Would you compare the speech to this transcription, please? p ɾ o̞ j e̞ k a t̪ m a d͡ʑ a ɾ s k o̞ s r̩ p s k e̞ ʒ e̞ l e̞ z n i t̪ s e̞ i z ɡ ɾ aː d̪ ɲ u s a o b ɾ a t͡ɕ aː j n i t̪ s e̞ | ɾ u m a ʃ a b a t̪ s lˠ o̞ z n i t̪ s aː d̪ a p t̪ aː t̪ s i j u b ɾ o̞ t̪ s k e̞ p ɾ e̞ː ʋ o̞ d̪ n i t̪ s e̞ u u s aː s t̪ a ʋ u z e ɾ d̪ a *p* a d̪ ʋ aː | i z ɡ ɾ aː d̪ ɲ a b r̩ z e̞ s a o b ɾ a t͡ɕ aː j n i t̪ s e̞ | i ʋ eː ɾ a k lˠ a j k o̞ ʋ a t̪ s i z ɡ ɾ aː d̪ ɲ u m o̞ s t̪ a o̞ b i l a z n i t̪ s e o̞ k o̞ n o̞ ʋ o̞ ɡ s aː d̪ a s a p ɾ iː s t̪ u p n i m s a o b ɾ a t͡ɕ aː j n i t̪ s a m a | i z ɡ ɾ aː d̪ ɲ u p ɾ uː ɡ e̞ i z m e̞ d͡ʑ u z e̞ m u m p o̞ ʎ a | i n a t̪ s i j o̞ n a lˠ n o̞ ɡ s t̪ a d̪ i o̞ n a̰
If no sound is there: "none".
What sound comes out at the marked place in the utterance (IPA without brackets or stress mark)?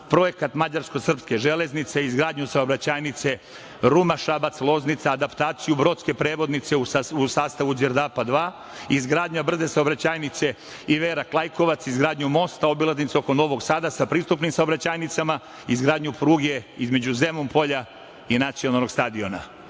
p